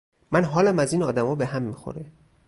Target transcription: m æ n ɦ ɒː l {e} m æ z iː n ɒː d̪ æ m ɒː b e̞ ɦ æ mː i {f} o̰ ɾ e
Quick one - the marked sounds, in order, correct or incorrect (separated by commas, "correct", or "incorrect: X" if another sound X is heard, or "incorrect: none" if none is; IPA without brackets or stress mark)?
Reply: incorrect: æ, incorrect: x